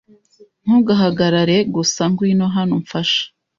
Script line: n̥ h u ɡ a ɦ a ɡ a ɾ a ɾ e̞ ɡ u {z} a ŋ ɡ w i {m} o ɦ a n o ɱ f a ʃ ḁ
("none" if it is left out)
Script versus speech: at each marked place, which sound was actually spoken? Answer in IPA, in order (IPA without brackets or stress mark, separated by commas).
s, n